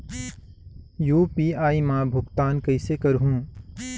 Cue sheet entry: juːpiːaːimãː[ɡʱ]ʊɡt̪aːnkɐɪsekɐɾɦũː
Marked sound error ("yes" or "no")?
yes